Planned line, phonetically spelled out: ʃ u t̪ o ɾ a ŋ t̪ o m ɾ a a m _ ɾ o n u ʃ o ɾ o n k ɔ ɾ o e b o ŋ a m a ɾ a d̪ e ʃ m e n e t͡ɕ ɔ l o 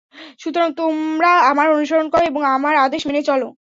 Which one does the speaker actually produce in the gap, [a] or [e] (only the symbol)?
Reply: a